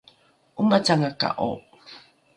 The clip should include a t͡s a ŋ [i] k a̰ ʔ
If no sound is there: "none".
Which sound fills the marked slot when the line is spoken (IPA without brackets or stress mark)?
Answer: a